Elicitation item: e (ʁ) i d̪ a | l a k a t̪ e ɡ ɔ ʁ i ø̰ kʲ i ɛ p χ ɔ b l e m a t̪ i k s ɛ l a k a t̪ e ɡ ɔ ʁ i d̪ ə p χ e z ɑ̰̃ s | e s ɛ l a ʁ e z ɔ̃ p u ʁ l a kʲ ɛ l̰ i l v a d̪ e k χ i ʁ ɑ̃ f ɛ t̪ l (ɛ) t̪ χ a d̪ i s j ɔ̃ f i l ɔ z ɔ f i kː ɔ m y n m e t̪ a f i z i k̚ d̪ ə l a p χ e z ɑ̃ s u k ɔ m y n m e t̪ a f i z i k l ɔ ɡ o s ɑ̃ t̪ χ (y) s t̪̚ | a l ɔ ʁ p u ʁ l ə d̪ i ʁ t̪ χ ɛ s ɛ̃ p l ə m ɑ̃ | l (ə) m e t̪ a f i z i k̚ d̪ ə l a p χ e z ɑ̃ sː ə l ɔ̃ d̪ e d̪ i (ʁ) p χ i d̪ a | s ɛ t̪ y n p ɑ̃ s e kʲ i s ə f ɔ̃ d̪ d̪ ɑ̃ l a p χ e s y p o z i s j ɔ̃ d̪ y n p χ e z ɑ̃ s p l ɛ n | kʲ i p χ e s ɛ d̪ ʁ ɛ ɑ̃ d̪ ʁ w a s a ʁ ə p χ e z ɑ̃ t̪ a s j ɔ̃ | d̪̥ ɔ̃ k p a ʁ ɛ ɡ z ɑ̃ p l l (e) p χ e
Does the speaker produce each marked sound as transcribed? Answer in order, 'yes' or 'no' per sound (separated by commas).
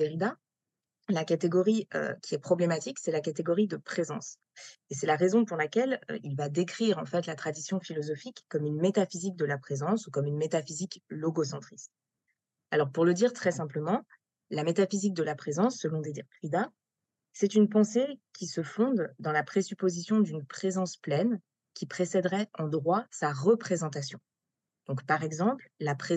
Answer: yes, no, no, no, yes, no